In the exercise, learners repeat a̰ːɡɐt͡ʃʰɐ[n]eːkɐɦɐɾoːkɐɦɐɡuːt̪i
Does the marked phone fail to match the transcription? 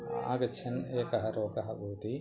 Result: no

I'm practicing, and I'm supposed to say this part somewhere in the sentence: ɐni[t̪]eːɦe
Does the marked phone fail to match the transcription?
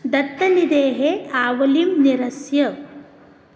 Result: yes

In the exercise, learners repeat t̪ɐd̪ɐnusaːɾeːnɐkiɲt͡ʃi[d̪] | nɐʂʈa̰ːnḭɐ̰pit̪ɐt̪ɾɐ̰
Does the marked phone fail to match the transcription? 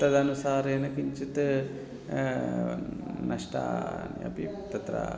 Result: yes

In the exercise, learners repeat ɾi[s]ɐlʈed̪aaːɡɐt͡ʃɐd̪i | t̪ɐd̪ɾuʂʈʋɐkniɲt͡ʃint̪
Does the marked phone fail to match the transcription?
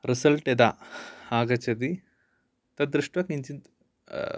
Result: no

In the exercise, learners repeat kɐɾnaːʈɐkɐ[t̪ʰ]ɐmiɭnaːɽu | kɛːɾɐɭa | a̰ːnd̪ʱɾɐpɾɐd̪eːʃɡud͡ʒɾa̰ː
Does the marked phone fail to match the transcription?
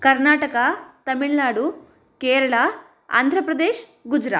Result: yes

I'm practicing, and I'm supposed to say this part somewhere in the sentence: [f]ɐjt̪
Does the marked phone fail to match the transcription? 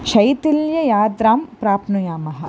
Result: yes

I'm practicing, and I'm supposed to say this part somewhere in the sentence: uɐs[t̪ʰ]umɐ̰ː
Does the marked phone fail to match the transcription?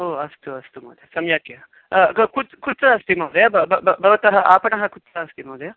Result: yes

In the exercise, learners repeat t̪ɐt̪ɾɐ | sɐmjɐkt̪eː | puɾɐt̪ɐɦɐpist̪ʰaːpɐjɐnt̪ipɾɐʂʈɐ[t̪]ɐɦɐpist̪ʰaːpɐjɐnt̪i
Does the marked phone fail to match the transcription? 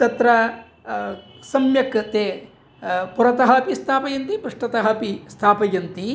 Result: no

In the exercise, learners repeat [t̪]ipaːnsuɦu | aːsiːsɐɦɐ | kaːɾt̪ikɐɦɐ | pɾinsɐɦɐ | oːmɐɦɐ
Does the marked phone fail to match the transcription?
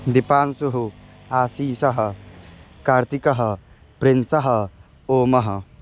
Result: yes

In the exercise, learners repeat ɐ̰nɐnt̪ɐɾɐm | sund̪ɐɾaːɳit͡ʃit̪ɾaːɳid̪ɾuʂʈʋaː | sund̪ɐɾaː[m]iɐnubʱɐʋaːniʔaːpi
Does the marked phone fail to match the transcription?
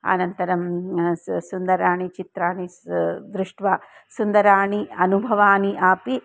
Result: yes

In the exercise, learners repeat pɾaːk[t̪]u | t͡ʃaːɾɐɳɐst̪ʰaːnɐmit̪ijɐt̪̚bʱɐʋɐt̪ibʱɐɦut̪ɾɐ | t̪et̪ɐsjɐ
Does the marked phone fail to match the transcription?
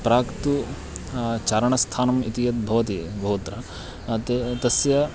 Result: no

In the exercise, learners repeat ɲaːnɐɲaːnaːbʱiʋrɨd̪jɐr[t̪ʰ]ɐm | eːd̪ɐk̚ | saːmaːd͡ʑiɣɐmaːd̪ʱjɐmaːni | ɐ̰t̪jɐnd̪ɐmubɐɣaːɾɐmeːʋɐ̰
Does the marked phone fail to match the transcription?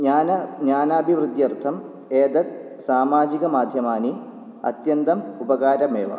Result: no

